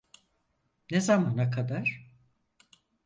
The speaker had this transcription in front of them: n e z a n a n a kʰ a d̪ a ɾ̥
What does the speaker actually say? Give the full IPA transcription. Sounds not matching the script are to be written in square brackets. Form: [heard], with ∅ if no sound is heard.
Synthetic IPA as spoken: n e z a [m] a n a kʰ a d̪ a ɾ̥